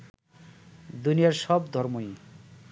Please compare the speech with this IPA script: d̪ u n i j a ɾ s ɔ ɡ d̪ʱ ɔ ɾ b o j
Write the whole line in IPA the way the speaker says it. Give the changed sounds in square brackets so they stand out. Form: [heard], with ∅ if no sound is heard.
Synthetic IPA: d̪ u n i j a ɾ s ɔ [b] d̪ʱ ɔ ɾ [m] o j